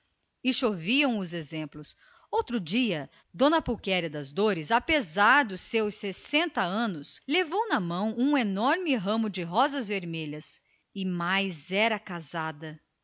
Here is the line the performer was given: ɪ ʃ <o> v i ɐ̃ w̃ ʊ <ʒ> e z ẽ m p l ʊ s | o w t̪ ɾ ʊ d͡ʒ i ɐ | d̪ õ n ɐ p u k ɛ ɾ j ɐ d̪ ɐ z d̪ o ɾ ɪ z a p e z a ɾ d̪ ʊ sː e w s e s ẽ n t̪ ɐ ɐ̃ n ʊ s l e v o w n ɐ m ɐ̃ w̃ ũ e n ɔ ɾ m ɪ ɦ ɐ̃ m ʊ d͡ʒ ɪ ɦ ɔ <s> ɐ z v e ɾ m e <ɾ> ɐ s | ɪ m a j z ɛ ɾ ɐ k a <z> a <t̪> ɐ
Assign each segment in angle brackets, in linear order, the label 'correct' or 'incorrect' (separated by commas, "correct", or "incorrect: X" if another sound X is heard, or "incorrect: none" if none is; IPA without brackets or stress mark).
correct, incorrect: z, incorrect: z, incorrect: ʎ, correct, incorrect: d̪